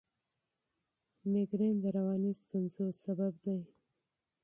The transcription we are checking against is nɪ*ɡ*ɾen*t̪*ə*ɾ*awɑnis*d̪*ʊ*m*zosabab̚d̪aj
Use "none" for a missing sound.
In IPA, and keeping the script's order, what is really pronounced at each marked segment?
ɡ, d̪, ɾ, t̪, n

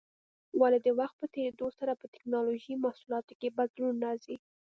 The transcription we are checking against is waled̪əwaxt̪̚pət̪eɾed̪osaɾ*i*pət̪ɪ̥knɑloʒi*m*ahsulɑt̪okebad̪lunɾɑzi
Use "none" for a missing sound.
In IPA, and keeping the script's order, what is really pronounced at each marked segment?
a, m

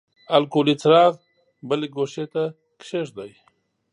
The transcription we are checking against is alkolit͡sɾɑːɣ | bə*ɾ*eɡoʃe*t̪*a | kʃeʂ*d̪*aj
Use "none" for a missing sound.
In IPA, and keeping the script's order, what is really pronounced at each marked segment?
l, t̪, d̪

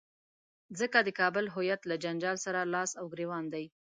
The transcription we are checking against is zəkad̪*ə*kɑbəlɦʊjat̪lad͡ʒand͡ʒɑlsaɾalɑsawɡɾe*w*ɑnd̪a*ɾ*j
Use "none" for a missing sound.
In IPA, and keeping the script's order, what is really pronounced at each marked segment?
ə, w, none

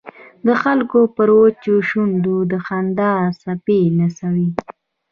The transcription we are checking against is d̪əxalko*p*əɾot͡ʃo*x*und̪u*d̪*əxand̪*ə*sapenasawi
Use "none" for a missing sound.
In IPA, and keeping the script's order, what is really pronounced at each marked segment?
p, ʃ, d̪, ɑ

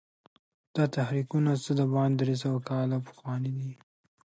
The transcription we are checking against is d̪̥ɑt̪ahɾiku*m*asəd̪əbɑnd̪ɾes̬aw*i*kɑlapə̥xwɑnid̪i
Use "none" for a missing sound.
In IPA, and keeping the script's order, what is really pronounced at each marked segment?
n, a

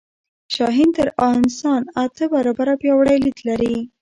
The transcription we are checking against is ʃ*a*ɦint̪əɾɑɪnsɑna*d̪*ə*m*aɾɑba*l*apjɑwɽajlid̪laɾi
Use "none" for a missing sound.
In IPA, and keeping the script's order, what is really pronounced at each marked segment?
ɑ, t̪, b, ɾ

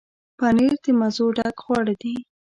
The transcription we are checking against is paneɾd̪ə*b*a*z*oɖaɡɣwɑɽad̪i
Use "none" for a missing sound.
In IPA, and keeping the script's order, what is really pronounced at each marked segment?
m, z

